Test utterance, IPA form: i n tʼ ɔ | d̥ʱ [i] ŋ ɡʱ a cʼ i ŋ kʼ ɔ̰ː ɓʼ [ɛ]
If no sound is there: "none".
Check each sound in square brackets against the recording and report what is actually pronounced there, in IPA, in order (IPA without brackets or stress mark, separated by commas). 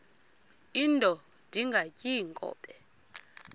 i, ɛ